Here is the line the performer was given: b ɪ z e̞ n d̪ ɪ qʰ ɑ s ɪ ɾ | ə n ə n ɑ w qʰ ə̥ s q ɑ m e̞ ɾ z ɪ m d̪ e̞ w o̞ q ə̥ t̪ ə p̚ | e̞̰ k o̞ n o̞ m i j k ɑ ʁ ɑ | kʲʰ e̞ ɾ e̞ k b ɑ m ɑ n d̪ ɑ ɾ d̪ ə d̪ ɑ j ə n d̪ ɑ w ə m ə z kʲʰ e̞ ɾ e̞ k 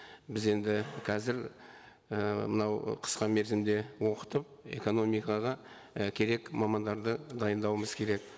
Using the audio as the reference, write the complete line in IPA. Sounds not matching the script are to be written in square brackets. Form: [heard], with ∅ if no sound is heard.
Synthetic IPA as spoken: b ɪ z e̞ n d̪ ɪ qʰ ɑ [z] ɪ ɾ | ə [m] ə n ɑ w qʰ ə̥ s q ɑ m e̞ ɾ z ɪ m d̪ e̞ w o̞ q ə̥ t̪ ə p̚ | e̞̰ k o̞ n o̞ m i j k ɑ ʁ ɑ | kʲʰ e̞ ɾ e̞ k [m] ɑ m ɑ n d̪ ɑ ɾ d̪ ə d̪ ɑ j ə n d̪ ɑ w ə m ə z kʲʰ e̞ ɾ e̞ k